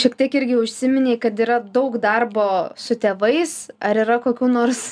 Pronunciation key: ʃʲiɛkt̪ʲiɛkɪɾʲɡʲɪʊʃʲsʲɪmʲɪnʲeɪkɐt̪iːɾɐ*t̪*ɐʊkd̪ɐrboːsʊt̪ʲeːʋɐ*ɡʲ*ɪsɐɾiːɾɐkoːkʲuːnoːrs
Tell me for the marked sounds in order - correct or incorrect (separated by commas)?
incorrect, incorrect